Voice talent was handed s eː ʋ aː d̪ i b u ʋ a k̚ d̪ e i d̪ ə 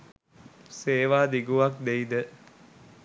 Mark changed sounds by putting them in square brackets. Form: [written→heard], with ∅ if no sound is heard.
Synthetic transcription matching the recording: s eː ʋ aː d̪ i [b→ɡ] u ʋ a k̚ d̪ e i d̪ ə